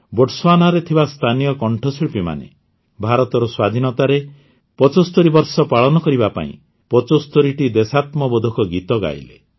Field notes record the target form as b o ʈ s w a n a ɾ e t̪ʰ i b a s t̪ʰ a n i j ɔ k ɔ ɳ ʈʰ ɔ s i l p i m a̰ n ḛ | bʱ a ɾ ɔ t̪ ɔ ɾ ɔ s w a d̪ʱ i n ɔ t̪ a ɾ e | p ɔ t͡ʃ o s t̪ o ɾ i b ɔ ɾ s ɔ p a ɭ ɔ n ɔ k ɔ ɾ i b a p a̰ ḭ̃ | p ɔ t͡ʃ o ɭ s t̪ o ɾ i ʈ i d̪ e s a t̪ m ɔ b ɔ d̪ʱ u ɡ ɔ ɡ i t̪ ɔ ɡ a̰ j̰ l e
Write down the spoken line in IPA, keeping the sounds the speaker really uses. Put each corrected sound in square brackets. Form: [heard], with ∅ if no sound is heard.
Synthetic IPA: b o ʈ s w a n a ɾ e t̪ʰ i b a s t̪ʰ a n i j ɔ k ɔ ɳ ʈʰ ɔ s i [ɭ] p i m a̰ n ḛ | bʱ a ɾ ɔ t̪ ɔ ɾ ɔ s w a d̪ʱ i n ɔ t̪ a ɾ e | p ɔ t͡ʃ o s t̪ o ɾ i b ɔ ɾ s ɔ p a ɭ ɔ n ɔ k ɔ ɾ i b a p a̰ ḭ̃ | p ɔ t͡ʃ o [∅] s t̪ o ɾ i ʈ i d̪ e s a t̪ m ɔ b ɔ d̪ʱ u [k] ɔ ɡ i t̪ ɔ ɡ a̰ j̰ l e